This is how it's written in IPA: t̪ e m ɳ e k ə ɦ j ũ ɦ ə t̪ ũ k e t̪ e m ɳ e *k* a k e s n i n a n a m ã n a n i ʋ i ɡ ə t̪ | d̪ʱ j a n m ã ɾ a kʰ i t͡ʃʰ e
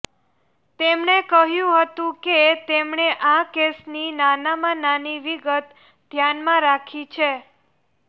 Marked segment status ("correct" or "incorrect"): incorrect